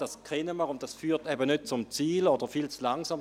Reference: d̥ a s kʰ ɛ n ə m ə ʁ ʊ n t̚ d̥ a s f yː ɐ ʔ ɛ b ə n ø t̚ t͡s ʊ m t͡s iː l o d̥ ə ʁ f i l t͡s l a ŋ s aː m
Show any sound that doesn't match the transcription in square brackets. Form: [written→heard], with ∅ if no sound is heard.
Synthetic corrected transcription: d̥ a s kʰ ɛ n ə m ə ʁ ʊ n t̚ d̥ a s f yː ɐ [ʔ→t] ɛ b ə n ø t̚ t͡s ʊ m t͡s iː l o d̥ ə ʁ f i l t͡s l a ŋ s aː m